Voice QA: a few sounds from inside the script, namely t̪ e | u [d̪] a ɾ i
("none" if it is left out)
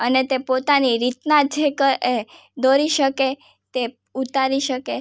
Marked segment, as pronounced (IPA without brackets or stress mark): t̪